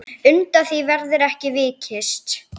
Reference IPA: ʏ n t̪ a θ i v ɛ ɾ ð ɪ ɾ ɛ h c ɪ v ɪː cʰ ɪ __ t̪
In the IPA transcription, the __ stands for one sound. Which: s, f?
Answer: s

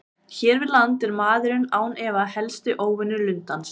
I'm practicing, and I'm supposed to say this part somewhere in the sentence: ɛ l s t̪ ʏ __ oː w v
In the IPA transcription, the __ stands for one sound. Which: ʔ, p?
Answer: ʔ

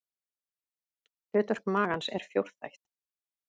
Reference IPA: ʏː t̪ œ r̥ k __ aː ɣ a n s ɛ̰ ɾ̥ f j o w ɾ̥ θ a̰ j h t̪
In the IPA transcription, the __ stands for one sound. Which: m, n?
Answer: m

